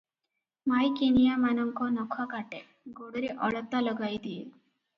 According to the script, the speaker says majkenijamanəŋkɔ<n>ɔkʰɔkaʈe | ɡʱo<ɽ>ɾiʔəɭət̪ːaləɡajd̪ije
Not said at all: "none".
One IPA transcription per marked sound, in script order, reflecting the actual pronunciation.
n, ɽ

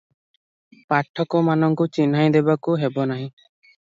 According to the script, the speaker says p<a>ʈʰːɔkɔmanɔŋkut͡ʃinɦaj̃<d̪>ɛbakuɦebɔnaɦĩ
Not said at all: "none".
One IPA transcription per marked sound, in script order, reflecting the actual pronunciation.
a, d̪

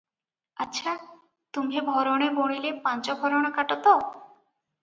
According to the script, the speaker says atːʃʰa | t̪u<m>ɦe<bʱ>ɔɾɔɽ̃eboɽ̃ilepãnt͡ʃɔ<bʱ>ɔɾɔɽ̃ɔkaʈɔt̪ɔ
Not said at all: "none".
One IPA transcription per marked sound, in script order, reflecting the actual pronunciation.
m, bʱ, bʱ

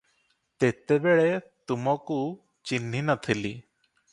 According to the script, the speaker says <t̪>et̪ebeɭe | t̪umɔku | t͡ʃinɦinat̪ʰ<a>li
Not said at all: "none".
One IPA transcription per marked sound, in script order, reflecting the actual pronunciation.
t̪, i

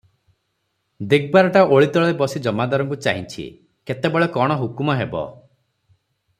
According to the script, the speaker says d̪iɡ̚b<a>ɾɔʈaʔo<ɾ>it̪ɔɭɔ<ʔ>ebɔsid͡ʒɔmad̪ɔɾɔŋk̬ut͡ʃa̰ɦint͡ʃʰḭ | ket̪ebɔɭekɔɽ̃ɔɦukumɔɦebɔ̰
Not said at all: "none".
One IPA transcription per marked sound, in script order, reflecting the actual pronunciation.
a, ɭ, none

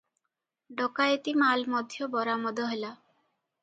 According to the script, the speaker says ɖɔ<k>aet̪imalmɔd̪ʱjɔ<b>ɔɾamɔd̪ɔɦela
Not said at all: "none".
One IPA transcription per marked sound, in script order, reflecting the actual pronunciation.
k, b

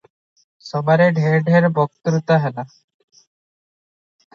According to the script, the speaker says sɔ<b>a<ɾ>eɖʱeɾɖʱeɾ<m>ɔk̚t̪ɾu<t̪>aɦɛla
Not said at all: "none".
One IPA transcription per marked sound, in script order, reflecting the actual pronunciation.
b, ɾ, b, t̪

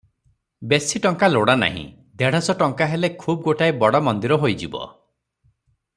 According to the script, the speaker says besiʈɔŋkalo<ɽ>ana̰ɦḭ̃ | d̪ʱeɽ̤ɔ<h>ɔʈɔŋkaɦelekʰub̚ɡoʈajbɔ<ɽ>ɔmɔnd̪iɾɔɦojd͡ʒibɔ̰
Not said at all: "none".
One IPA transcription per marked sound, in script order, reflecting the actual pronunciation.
ɽ, s, ɽ

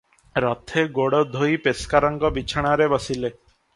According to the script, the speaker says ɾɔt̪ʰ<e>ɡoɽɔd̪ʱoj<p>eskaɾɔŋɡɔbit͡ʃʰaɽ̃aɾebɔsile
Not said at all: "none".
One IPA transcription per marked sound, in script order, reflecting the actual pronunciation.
e, p

